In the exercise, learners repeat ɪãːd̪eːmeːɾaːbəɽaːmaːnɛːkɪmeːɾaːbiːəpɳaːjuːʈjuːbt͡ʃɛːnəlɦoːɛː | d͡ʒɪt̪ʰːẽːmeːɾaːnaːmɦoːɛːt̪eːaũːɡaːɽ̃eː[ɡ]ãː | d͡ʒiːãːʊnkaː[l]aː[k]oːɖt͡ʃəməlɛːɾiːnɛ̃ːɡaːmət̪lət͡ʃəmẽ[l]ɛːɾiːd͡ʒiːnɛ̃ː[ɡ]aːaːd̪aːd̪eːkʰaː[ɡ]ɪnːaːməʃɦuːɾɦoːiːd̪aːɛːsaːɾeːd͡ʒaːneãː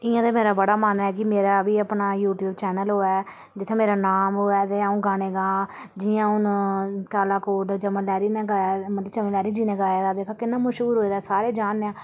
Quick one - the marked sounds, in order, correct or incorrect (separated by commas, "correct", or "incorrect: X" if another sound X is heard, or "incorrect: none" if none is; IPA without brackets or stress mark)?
correct, correct, correct, correct, correct, incorrect: k